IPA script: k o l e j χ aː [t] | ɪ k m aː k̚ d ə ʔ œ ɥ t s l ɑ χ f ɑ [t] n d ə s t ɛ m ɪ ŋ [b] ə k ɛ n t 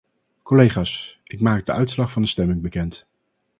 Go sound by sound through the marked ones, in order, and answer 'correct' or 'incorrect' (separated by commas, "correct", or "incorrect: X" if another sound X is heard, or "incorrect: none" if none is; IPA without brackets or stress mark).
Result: incorrect: s, incorrect: none, correct